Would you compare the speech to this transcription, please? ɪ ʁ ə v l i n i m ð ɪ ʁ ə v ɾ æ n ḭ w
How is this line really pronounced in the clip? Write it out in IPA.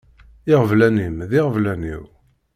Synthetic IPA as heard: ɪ ʁ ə v l æ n i m ð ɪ ʁ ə v l æ n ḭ w

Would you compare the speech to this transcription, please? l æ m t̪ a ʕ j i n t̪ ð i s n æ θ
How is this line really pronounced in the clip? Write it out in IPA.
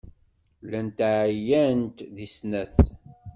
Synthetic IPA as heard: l æ n t̪ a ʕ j æ n t̪ ð i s n æ θ

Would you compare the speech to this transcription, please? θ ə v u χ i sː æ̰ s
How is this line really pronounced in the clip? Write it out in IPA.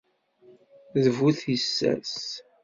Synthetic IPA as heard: ð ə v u θ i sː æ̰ s

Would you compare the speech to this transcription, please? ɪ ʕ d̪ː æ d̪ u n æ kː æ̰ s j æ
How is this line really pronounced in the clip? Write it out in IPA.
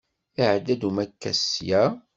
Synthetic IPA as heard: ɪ ʕ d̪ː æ d̪ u m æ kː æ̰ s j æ

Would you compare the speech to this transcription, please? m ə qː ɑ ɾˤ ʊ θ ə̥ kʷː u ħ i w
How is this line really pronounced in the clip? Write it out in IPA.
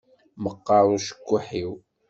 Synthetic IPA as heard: m ə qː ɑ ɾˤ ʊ ʃ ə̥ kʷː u ħ i w

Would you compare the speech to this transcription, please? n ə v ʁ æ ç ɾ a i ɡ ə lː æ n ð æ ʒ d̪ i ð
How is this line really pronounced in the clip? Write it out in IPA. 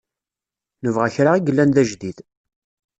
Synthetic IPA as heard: n ə v ʁ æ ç ɾ a i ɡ ə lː æ n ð æ ʒ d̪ i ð

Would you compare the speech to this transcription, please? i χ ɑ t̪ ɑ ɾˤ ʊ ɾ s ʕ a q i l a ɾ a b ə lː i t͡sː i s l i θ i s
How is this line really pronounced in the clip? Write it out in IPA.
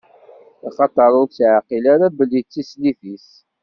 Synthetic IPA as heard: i χ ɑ t̪ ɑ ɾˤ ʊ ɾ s ʕ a q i l a ɾ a b ə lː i t͡sː i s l i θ i s

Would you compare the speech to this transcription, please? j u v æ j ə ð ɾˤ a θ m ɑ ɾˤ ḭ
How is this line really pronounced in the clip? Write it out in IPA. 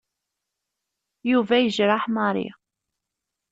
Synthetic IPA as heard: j u v æ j ə ʒ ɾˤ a ħ m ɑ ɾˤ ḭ

